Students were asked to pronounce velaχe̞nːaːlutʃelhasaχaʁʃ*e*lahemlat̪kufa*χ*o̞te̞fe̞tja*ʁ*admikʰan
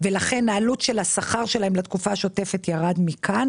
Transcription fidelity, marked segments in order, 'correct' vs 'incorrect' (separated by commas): correct, incorrect, correct